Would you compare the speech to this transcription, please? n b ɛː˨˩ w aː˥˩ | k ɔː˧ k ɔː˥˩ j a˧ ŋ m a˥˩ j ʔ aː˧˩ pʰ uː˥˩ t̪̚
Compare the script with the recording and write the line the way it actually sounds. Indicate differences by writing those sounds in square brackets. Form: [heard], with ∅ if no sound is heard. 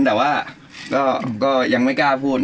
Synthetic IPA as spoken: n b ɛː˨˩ w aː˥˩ | k [ɔː˥˩] k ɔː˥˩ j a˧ ŋ m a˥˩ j [k] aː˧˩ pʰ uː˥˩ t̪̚